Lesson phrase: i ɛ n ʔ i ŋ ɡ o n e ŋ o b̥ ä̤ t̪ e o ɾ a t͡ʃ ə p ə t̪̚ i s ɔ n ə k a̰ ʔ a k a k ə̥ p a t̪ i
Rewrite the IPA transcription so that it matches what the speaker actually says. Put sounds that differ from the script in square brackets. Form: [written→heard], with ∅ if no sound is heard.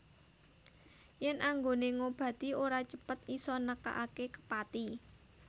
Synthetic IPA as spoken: [i→j] ɛ n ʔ [i→a] ŋ ɡ o n e ŋ o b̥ ä̤ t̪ [e→i] o ɾ a t͡ʃ ə p ə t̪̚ i s ɔ n ə k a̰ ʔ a k [a→e] k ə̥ p a t̪ i